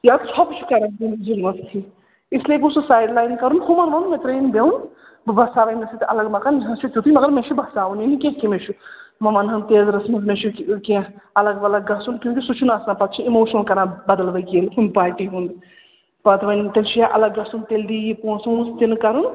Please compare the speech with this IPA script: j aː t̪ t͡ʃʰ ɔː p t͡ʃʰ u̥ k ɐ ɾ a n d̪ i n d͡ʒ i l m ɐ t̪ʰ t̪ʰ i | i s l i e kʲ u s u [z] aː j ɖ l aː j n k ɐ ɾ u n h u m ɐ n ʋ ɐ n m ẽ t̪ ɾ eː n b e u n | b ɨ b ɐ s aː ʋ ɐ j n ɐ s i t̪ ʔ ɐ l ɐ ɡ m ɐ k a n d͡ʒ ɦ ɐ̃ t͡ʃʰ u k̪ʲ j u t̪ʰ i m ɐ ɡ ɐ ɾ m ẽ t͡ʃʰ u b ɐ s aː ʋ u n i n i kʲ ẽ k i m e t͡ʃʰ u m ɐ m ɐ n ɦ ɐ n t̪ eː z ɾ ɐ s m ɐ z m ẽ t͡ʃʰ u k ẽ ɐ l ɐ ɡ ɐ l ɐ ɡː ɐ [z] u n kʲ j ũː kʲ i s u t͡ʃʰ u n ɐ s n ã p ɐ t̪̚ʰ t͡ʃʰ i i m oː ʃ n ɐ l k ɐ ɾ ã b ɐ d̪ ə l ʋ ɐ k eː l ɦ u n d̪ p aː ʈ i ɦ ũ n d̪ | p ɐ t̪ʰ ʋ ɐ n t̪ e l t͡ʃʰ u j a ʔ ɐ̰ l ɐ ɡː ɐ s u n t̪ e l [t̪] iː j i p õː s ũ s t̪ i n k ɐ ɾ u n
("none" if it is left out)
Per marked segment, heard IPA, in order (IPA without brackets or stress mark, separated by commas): s, s, d̪